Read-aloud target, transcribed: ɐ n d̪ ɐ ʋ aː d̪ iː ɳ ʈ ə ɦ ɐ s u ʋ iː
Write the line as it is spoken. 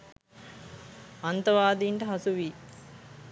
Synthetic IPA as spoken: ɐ n t̪ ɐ ʋ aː d̪ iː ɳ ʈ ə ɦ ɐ s u ʋ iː